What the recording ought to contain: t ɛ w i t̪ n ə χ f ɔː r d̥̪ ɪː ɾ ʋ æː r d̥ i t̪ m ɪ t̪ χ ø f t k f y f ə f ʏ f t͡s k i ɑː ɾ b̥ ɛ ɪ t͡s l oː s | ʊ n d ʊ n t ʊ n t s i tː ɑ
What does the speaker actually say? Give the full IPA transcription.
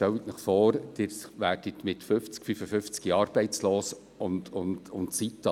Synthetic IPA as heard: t ɛ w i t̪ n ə χ f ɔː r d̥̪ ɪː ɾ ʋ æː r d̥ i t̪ m ɪ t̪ f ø f t͡s k f y f ə f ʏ f t͡s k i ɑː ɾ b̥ ɛ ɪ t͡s l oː s | ʊ n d ʊ n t ʊ n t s i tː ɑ